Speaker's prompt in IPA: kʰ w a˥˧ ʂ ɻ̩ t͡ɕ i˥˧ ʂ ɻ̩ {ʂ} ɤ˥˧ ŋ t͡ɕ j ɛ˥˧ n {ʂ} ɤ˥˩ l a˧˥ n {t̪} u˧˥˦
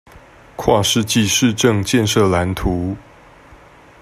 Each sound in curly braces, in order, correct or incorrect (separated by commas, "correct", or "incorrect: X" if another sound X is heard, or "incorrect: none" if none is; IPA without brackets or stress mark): incorrect: ʈ͡ʂ, correct, incorrect: t̪ʰ